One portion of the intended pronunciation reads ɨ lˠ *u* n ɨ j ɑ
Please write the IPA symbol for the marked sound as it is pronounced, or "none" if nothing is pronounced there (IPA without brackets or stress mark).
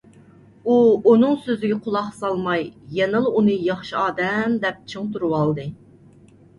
u